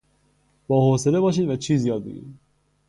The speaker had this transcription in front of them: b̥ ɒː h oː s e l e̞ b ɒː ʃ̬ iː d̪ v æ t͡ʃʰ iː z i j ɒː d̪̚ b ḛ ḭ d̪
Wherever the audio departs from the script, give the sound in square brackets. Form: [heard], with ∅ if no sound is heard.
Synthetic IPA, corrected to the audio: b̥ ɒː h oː s e l e̞ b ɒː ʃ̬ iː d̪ v æ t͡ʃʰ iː z i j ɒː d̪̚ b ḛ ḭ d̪